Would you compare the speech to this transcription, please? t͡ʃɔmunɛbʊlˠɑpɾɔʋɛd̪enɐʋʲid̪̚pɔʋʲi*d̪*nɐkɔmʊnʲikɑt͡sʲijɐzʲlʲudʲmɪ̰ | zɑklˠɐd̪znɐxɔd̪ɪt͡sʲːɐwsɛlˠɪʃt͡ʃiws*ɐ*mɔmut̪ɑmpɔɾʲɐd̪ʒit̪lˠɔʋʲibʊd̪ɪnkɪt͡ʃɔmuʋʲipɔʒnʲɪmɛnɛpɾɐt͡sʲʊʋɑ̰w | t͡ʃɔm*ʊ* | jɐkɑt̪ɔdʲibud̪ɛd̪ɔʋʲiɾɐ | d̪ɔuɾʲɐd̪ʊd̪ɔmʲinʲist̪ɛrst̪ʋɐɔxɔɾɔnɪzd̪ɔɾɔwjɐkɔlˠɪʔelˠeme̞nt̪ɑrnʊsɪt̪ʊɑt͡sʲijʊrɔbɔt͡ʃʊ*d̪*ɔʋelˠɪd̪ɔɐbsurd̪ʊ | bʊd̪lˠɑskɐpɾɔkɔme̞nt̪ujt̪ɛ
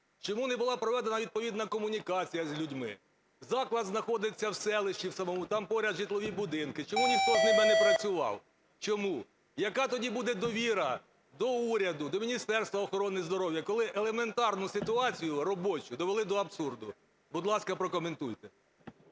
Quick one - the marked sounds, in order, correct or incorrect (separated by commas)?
correct, correct, incorrect, correct